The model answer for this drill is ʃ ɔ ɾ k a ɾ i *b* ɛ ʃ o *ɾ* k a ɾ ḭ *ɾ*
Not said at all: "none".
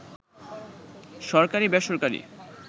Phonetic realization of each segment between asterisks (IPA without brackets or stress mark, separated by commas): b, ɾ, none